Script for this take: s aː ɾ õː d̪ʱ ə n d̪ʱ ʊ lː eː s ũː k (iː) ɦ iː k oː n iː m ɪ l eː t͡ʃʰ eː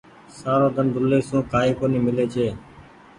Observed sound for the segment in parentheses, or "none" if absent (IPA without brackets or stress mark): aː